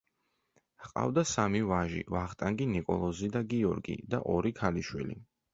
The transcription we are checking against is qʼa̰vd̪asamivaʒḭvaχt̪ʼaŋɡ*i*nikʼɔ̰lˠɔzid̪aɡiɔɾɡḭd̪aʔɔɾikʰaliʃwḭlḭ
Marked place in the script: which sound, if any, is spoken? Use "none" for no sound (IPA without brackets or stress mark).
i